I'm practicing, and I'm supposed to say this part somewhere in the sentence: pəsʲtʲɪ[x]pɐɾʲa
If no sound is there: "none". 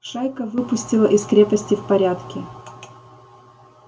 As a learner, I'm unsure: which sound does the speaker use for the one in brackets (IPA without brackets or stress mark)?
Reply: f